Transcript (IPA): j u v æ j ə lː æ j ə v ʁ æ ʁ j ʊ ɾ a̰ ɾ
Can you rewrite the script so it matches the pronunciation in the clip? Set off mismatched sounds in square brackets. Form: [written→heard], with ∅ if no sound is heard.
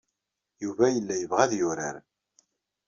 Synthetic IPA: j u v æ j ə lː æ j ə v ʁ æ [ʁ→ð] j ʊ ɾ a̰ ɾ